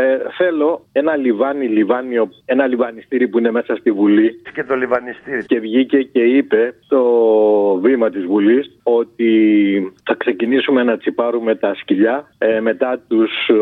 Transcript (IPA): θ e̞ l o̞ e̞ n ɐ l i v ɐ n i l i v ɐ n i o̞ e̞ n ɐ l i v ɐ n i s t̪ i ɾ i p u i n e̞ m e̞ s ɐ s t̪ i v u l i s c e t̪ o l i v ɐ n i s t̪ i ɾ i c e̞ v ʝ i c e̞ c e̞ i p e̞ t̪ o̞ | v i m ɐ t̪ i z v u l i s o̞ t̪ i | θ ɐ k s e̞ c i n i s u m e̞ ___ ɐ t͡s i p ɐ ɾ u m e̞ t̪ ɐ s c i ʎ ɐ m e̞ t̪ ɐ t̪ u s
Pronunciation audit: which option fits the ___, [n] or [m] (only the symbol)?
n